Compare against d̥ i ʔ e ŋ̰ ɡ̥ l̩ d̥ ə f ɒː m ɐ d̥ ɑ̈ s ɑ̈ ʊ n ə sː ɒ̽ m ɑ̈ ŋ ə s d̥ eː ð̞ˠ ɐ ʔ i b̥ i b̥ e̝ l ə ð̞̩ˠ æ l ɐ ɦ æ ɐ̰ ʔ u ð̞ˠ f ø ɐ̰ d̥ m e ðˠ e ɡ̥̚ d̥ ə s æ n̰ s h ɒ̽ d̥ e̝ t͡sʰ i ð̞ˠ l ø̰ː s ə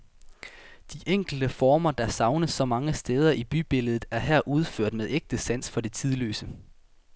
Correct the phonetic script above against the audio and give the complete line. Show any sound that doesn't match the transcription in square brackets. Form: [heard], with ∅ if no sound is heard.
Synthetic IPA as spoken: d̥ i ʔ e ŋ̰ ɡ̥ l̩ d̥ ə f ɒː m ɐ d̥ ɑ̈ s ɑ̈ ʊ n ə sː ɒ̽ m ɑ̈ ŋ ə s d̥ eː ð̞ˠ ɐ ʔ i b̥ [y] b̥ e̝ l ə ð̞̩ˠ æ [∅] ɐ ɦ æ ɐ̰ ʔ u ð̞ˠ f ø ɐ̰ d̥ m e ðˠ e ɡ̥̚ d̥ ə s æ n̰ s [f] ɒ̽ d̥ e̝ t͡sʰ i ð̞ˠ l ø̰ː s ə